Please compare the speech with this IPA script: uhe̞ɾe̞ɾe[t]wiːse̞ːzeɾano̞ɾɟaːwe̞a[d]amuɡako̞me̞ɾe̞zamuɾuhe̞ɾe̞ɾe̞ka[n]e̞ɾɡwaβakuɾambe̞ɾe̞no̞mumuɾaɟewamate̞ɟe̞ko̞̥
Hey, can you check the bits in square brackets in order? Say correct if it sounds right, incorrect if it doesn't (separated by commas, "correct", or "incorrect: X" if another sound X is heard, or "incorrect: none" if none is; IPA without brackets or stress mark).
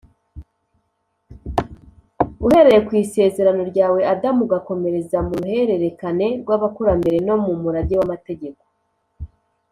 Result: incorrect: k, correct, correct